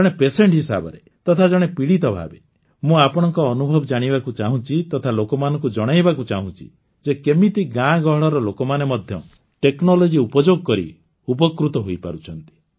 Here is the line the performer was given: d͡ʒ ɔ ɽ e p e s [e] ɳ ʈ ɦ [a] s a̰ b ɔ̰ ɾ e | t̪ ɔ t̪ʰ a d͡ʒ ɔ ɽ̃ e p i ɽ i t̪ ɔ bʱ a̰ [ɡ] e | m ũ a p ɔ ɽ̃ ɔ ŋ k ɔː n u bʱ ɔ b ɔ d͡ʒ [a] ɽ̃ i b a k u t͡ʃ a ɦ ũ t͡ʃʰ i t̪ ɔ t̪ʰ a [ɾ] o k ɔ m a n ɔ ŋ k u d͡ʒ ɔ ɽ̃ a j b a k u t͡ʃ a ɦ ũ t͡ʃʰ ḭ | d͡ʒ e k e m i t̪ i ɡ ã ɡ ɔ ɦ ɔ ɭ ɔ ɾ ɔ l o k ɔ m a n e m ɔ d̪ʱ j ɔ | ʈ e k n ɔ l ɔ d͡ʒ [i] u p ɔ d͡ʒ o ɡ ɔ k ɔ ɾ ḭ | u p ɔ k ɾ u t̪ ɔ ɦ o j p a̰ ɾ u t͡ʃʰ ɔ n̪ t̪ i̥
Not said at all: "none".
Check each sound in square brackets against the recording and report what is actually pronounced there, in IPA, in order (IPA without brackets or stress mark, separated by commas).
e, i, b, a, l, i